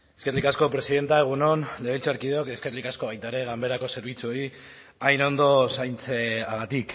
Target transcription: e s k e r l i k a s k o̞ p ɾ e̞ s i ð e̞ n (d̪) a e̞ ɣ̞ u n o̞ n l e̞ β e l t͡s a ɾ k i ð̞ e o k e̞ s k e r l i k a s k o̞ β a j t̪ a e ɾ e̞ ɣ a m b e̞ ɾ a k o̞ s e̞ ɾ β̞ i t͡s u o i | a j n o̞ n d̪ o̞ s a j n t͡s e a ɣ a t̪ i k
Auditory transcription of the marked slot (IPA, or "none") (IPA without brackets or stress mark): t̪